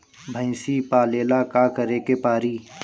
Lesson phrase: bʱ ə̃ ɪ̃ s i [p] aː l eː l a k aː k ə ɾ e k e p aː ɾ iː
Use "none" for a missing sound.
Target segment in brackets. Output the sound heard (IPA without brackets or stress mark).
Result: p